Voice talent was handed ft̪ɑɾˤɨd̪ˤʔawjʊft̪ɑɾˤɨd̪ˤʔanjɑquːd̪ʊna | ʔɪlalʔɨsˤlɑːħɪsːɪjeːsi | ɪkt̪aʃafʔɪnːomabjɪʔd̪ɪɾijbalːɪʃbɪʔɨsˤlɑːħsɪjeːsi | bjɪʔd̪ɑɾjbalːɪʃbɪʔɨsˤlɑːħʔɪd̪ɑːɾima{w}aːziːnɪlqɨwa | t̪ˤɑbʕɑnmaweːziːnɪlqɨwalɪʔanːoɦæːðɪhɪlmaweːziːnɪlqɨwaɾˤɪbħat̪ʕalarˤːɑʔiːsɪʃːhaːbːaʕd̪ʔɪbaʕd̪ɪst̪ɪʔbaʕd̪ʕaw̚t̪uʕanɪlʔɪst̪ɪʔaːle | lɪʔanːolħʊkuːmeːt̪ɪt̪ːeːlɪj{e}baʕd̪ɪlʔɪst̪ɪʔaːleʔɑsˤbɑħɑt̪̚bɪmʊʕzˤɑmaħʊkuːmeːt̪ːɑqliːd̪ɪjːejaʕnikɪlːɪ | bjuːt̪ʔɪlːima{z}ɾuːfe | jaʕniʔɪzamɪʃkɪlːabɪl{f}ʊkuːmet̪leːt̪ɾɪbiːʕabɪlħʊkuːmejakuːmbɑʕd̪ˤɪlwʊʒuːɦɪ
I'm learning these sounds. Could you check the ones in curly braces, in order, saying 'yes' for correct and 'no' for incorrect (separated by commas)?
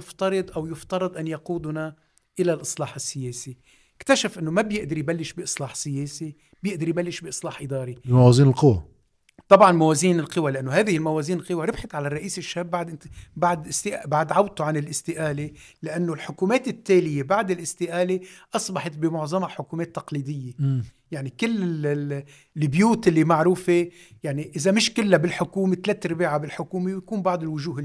yes, yes, no, no